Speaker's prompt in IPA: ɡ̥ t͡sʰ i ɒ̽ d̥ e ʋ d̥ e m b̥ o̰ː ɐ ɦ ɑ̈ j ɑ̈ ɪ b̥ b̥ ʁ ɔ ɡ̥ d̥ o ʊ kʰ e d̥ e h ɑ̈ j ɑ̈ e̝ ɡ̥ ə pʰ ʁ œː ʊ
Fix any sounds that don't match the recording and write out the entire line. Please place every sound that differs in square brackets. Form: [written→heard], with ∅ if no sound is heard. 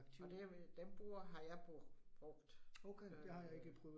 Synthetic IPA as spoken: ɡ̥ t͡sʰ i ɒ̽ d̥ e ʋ d̥ e m b̥ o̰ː ɐ ɦ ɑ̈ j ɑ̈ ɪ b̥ b̥ ʁ ɔ ɡ̥ d̥ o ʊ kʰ e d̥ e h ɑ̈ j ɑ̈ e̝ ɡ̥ ə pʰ ʁ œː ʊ